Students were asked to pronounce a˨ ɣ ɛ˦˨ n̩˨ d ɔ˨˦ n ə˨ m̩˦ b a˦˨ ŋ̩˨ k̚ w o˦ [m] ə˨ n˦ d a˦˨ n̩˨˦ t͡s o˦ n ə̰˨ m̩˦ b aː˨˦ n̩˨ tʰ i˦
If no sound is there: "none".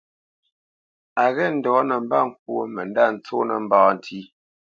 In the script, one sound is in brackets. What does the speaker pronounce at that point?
m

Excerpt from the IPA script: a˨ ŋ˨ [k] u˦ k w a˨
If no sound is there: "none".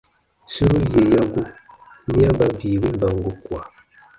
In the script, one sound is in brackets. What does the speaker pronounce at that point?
ɡ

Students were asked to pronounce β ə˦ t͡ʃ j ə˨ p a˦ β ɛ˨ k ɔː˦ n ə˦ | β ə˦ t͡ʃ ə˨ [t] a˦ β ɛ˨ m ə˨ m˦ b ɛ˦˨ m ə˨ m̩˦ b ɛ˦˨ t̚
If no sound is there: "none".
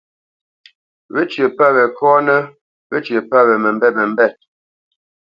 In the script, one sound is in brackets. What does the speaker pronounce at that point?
p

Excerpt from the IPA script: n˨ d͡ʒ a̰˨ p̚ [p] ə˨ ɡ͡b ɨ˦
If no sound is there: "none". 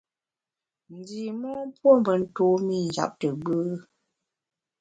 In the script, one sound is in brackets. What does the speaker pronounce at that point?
t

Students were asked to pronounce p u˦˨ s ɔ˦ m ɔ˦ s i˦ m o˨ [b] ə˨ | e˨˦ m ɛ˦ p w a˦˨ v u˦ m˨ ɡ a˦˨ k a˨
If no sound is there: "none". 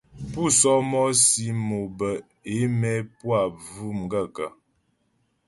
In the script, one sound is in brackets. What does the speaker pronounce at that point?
b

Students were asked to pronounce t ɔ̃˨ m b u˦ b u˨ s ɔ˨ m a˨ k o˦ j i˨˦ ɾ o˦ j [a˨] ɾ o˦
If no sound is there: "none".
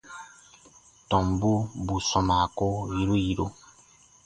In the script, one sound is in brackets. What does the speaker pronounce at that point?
i˨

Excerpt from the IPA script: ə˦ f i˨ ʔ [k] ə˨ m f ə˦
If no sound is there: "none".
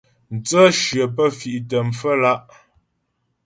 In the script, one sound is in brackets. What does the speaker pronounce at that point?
t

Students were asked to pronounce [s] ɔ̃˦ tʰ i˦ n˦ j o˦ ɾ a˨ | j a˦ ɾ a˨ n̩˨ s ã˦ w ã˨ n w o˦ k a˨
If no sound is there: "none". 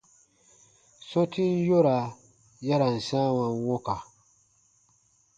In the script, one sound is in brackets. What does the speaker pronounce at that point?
s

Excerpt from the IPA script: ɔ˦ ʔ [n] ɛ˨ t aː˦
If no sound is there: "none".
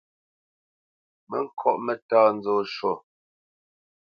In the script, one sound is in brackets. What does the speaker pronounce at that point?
m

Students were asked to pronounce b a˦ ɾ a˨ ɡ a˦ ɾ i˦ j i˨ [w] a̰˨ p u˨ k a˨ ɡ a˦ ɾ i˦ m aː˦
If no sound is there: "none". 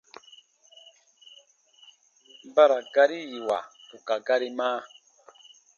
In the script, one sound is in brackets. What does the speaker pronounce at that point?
w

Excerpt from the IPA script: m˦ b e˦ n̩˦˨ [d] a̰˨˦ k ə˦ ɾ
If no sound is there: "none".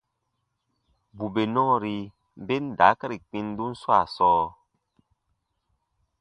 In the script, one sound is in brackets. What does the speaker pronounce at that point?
d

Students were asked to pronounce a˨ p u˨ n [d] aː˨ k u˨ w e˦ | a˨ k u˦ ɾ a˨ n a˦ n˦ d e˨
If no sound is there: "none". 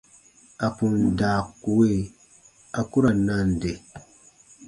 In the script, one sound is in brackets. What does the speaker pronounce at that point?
d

